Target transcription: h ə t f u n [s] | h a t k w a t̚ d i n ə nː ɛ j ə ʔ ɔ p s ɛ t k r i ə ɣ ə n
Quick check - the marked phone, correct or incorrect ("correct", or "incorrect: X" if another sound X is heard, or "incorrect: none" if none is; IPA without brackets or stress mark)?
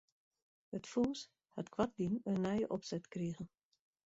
correct